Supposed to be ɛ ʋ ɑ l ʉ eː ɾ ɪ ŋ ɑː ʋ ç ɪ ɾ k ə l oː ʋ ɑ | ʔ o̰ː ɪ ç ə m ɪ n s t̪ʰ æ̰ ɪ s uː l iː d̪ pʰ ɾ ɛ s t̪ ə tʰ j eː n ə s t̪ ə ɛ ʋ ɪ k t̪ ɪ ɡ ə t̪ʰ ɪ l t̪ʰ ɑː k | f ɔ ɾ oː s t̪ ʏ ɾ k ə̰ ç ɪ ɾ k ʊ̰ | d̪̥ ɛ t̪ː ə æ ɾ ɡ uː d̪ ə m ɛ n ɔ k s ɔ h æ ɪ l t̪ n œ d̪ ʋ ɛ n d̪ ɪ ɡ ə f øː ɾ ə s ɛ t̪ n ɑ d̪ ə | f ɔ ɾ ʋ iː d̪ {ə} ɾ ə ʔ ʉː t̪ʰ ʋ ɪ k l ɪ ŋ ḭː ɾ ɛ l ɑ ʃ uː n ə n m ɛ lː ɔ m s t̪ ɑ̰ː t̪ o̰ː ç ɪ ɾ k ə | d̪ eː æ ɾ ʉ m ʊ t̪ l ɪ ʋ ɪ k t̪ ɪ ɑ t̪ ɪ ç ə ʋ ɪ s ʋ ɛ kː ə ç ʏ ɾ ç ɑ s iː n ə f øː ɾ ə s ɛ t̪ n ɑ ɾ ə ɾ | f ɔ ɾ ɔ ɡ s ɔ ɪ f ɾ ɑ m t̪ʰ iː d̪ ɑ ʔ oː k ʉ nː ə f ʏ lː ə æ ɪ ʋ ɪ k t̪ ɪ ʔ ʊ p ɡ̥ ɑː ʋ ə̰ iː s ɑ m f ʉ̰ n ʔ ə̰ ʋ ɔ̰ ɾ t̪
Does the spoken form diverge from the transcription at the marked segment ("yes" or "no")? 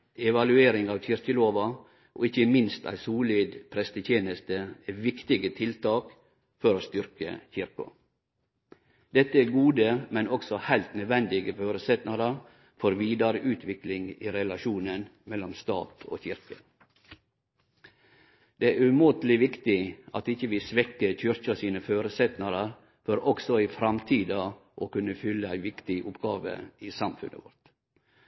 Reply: yes